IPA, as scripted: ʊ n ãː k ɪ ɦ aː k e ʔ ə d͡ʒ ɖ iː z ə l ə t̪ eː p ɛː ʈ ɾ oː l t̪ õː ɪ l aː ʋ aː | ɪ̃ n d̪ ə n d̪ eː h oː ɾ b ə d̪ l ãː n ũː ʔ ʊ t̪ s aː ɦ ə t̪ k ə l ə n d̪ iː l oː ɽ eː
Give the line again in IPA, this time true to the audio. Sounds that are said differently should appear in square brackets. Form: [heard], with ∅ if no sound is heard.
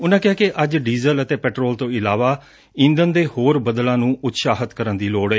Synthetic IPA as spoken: ʊ n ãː k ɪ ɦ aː k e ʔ ə d͡ʒ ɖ iː z ə l ə t̪ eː p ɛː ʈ ɾ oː l t̪ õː ɪ l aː ʋ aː | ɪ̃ n d̪ ə n d̪ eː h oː ɾ b ə d̪ l ãː n ũː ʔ ʊ t̪ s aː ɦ ə t̪ k ə [ɾ] ə n d̪ iː l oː ɽ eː